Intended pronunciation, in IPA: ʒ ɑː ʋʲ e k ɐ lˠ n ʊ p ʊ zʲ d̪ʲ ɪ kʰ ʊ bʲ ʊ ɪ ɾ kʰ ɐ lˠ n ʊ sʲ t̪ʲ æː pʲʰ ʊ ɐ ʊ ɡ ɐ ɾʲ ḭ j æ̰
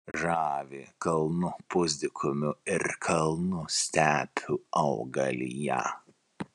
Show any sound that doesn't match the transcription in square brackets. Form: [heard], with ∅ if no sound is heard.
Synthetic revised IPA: ʒ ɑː ʋʲ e k ɐ lˠ n ʊ p ʊ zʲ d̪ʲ ɪ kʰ ʊ [mʲ] ʊ ɪ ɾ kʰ ɐ lˠ n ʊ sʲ t̪ʲ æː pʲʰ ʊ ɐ ʊ ɡ ɐ [lʲ] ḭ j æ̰